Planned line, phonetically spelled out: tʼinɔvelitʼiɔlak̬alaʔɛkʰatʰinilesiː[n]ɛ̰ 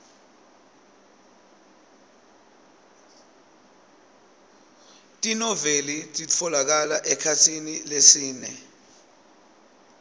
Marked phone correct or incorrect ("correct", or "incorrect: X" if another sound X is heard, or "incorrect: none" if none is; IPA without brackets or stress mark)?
correct